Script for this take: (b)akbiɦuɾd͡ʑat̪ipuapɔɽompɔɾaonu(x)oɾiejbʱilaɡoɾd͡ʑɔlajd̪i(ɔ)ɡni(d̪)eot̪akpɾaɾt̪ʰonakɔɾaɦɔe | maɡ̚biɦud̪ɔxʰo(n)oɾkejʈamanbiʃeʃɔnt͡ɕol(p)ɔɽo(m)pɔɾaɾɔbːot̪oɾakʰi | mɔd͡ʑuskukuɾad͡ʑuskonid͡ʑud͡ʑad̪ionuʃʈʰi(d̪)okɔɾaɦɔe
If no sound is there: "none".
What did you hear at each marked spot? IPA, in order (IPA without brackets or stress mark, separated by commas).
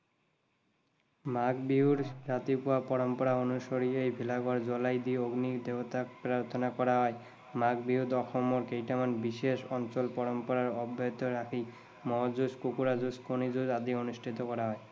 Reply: m, ʃ, o, d̪, m, p, m, t̪